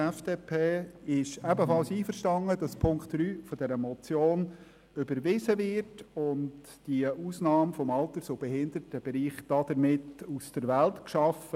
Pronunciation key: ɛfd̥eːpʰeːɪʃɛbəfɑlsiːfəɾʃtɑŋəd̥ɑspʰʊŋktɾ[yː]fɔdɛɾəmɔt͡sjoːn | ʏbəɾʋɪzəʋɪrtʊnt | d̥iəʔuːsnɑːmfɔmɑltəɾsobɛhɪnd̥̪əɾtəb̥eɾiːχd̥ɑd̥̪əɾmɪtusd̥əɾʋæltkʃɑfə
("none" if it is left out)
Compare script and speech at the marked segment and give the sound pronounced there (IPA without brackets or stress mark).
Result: yː